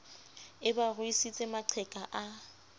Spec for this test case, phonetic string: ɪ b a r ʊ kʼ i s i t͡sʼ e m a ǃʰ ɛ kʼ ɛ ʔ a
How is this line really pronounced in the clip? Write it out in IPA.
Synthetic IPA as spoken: ɪ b a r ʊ i s i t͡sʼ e m a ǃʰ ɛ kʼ a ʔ a